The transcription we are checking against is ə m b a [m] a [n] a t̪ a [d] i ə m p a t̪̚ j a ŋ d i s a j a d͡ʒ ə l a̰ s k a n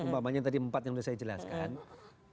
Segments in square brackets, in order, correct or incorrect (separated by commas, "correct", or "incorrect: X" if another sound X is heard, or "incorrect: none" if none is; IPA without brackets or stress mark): correct, incorrect: ɲ, correct